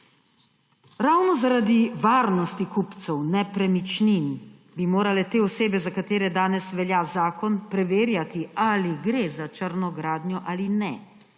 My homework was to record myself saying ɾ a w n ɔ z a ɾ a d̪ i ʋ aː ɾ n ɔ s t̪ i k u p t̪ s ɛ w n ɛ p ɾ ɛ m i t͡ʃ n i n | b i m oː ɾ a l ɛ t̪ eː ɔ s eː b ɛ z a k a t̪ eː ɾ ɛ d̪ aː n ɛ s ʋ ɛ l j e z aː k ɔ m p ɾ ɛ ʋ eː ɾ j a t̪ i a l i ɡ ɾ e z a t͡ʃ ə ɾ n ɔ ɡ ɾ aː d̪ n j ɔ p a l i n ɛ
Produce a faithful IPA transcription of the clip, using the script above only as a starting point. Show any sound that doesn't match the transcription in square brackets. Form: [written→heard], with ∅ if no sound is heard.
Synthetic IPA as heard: ɾ a w n ɔ z a ɾ a d̪ i ʋ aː ɾ n ɔ s t̪ i k u p t̪ s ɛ w n ɛ p ɾ ɛ m i t͡ʃ n i n | b i m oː ɾ a l ɛ t̪ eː ɔ s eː b ɛ z a k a t̪ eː ɾ ɛ d̪ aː n ɛ s ʋ ɛ l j [e→a] z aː k ɔ [m→n] p ɾ ɛ ʋ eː ɾ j a t̪ i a l i ɡ ɾ e z a t͡ʃ ə ɾ n ɔ ɡ ɾ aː d̪ n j ɔ [p→ʔ] a l i n ɛ